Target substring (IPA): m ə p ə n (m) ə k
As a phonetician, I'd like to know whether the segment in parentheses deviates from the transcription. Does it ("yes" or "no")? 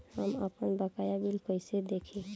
yes